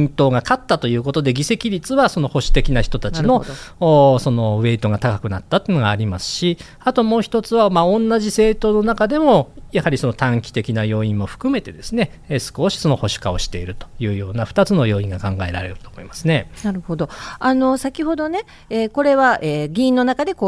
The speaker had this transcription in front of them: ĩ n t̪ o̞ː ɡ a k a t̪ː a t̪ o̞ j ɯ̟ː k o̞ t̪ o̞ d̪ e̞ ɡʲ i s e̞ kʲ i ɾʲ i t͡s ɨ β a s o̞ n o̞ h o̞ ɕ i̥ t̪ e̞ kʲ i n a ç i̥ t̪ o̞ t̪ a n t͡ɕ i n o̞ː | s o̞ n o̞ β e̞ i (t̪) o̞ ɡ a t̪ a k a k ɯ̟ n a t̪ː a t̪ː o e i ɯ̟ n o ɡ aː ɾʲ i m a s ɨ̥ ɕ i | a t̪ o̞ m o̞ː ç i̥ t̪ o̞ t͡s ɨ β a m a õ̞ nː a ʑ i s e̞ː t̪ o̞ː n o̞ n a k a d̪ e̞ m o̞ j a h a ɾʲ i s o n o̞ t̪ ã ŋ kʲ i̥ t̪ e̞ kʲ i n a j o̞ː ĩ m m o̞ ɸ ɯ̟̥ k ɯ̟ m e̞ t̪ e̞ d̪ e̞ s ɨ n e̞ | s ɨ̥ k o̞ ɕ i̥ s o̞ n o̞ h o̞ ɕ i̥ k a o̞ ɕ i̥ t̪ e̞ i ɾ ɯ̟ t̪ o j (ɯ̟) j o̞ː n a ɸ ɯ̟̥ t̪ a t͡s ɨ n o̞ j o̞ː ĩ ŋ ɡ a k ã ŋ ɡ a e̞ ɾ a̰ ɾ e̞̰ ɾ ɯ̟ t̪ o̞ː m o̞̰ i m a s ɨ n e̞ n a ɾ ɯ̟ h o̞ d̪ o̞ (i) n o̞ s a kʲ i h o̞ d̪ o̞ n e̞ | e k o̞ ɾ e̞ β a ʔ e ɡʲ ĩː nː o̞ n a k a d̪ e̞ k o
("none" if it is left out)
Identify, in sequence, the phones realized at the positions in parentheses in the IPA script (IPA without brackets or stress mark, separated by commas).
t̪, ɯ̟ː, a